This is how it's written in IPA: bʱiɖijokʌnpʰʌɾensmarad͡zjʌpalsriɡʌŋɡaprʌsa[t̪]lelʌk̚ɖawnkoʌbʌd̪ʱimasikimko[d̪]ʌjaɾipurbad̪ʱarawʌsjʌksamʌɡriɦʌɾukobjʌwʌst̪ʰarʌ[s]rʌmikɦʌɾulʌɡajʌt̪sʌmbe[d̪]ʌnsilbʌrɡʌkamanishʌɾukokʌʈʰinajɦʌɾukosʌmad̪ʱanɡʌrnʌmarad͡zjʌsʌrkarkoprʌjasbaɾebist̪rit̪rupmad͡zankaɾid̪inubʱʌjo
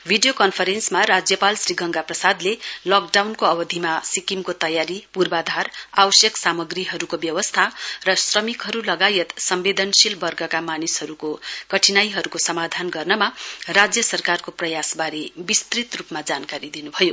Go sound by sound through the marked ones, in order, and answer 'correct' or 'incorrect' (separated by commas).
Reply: incorrect, incorrect, correct, correct